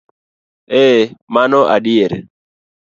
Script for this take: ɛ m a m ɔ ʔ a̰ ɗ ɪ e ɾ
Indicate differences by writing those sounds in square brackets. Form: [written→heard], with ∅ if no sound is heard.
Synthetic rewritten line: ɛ m a [m→n] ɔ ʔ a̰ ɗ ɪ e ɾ

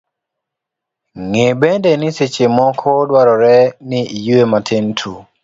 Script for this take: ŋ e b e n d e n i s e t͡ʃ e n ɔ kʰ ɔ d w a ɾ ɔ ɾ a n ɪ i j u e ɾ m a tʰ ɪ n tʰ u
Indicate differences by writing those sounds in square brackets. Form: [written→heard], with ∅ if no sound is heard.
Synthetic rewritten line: ŋ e b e n d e n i s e t͡ʃ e [n→m] ɔ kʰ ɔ d w a ɾ ɔ ɾ [a→ɛ] n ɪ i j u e [ɾ→∅] m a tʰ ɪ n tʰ u

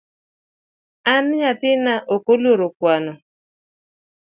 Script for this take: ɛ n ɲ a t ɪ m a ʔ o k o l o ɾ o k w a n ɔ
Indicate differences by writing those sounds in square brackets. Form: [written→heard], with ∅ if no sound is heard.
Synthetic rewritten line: [ɛ→a] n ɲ a t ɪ [m→n] a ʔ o k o l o ɾ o k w a n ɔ

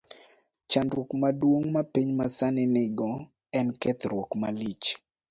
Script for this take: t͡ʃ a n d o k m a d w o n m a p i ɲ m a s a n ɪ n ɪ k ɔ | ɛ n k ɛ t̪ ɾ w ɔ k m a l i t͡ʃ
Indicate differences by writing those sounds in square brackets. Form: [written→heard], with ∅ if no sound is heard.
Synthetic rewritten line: t͡ʃ a n d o k m a d w o [n→ŋ] m a p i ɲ m a s a n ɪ n ɪ [k→ɡ] ɔ | ɛ n k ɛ t̪ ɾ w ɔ k m a l i t͡ʃ

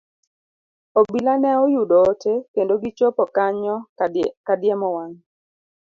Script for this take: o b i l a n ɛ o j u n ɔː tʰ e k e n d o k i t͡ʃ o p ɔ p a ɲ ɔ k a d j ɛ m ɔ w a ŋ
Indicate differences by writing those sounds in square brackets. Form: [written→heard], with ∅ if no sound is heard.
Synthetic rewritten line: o b i l a n ɛ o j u [n→d] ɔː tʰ e k e n d o [k→ɡ] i t͡ʃ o p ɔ [p→k] a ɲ ɔ k a d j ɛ m ɔ w a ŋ

